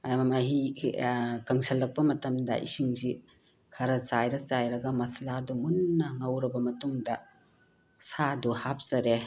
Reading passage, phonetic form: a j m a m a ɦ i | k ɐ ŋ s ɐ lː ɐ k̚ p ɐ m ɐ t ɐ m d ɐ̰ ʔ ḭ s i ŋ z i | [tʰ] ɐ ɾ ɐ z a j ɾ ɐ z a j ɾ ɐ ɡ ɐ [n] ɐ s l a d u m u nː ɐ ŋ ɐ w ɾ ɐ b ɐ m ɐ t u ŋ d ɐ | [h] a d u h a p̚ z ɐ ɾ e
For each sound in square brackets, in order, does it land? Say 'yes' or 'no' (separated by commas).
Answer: no, no, no